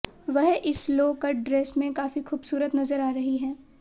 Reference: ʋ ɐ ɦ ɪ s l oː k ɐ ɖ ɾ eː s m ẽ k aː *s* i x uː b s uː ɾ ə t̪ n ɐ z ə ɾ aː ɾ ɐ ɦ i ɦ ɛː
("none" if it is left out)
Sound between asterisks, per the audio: f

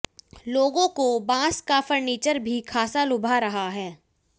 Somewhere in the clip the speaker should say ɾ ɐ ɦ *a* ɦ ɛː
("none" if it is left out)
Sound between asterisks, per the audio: a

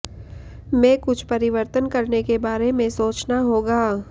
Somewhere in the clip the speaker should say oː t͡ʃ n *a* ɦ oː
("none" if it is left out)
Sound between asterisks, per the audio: a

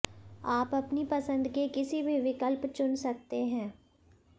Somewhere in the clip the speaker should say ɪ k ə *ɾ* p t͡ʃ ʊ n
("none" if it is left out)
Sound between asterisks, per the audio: l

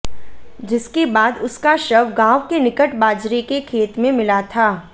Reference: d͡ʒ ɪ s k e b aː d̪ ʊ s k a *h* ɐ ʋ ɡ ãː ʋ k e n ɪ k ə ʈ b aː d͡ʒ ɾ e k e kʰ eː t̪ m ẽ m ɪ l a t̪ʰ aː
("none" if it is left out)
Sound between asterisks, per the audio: ʃ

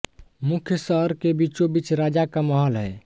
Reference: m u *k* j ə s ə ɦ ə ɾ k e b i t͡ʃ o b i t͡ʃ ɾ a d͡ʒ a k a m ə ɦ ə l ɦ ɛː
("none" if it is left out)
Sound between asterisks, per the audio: kʰ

